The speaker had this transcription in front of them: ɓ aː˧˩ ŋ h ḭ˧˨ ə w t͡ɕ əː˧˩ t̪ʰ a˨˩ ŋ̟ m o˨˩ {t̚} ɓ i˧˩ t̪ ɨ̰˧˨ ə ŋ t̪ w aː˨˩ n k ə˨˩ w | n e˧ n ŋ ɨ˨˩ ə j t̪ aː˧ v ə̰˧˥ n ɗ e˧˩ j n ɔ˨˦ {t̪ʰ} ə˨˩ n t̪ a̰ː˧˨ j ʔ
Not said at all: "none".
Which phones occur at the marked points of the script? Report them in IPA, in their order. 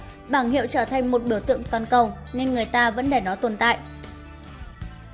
t̚, t̪

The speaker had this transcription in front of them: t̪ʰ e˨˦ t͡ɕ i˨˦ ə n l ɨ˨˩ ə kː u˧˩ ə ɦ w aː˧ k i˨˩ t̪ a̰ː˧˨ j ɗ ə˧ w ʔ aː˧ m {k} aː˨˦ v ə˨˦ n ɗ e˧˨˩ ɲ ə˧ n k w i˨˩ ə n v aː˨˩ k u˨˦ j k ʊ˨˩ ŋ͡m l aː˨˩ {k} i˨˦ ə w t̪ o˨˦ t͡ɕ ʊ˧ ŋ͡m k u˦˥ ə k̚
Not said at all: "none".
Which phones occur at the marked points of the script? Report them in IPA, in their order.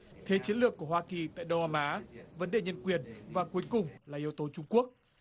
ʔ, ʔ

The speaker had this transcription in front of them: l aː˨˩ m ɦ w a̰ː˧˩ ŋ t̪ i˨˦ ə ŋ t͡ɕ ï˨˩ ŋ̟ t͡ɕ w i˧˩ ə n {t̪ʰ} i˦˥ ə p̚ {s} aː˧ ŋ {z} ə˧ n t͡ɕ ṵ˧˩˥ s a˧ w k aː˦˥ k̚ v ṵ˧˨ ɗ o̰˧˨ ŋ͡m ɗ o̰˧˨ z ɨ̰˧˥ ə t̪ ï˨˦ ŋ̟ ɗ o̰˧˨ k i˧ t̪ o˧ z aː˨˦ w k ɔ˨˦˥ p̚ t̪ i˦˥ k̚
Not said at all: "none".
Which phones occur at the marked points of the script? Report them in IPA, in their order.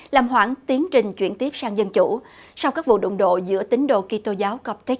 t̪, s, z

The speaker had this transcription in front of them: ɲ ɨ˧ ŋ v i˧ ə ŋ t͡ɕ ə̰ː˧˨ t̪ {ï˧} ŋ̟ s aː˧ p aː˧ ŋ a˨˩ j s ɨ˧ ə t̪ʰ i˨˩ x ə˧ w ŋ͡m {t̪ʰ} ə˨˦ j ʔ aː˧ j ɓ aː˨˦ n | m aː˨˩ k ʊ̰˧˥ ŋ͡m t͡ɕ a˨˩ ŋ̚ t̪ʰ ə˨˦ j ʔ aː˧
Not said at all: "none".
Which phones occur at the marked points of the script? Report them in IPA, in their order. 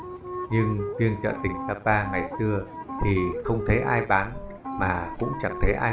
ï˨˩, t̪ʰ

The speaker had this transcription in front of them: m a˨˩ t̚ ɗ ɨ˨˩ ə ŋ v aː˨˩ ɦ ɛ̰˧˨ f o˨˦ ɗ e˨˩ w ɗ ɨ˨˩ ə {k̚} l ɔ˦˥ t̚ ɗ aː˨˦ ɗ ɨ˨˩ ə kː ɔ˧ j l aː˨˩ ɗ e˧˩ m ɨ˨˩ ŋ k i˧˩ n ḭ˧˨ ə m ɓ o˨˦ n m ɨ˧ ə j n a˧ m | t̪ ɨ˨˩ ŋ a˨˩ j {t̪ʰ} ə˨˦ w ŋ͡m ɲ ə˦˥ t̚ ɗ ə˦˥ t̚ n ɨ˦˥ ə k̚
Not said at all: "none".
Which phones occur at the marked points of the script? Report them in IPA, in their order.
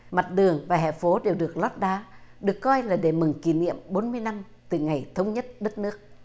k̚, t̪ʰ

